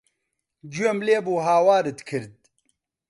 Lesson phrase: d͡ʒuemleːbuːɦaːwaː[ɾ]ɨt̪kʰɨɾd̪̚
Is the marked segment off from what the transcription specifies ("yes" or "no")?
no